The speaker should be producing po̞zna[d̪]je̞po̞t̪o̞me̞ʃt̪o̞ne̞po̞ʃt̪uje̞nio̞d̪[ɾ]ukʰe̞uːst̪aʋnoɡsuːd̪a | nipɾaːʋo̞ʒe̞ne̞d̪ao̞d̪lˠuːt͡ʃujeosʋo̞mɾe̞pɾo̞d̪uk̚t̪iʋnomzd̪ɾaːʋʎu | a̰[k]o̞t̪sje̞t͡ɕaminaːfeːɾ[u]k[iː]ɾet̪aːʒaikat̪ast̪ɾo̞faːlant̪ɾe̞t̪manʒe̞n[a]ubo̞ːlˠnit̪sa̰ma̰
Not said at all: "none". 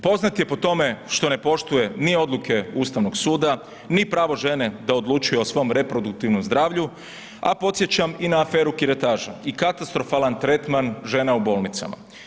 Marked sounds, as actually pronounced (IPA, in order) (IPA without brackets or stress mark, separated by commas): t̪, l, p, u, i, a